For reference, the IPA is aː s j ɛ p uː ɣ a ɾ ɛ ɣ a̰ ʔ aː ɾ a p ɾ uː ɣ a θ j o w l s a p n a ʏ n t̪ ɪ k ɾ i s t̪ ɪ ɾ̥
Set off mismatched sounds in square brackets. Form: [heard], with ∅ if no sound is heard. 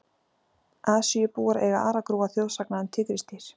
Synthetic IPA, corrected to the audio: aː s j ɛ p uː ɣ a ɾ ɛ ɣ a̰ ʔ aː ɾ a [k] ɾ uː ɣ a θ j o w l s a [k] n a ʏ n [t̪ʰ] ɪ k ɾ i s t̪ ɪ ɾ̥